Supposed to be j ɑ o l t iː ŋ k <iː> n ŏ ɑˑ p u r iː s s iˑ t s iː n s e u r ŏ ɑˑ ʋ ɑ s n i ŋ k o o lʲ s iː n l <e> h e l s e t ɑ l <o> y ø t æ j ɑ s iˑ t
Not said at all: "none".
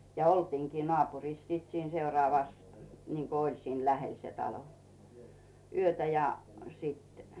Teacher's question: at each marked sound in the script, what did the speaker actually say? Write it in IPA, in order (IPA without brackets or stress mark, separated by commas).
iː, æ, o